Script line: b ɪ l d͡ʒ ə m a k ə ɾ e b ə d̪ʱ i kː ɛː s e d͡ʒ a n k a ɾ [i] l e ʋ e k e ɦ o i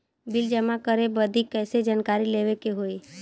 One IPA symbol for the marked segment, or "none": i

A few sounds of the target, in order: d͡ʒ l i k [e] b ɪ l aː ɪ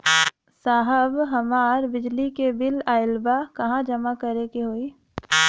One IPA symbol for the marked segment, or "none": e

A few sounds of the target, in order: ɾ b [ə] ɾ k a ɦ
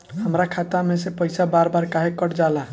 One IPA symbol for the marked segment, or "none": a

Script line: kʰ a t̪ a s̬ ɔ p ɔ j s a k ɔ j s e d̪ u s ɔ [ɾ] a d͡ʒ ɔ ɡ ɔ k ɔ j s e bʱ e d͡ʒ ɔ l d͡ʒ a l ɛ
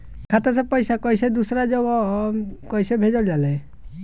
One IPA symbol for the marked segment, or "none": ɾ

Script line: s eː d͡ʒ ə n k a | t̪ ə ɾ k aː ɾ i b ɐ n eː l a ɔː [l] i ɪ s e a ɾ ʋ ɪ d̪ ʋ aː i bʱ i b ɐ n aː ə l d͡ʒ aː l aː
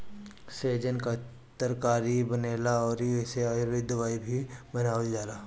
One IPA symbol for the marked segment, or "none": ɾ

